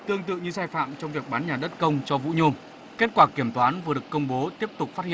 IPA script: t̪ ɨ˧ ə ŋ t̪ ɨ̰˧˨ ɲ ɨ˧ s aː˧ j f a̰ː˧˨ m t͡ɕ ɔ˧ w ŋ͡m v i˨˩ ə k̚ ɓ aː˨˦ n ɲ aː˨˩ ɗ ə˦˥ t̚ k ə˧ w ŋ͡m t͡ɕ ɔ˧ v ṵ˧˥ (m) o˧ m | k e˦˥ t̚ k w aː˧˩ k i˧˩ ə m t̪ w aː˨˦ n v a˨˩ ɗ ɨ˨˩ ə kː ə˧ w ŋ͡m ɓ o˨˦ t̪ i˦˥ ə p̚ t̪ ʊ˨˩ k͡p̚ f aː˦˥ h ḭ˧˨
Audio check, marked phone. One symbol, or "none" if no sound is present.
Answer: ɲ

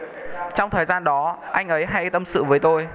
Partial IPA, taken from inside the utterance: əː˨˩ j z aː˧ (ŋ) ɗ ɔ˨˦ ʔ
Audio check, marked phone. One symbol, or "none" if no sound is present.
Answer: n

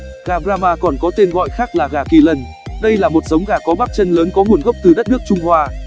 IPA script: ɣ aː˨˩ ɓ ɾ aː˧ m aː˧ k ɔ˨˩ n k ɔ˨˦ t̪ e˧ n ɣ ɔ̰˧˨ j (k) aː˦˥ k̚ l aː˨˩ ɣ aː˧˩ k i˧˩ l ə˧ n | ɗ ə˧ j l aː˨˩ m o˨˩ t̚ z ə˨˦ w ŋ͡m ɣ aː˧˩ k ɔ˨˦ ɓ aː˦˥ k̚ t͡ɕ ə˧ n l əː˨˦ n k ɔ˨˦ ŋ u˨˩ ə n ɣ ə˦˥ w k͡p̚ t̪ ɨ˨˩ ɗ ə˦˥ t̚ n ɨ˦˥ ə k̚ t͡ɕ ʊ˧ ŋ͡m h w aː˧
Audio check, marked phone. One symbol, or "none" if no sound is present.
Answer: x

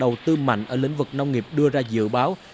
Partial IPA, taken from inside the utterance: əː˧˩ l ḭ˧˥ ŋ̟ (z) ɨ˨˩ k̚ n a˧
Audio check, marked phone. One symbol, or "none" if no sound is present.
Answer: v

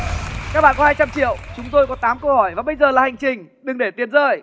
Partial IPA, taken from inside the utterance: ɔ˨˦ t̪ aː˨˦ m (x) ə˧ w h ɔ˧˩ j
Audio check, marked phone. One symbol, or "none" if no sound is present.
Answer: k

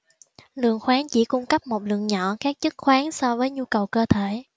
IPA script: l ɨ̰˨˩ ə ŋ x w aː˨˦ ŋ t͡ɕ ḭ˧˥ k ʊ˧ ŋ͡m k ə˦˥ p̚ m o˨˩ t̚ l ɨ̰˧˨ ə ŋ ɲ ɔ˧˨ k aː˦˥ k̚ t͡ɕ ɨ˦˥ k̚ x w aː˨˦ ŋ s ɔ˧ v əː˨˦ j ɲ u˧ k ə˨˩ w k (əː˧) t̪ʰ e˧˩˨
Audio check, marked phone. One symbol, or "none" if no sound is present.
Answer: əː˧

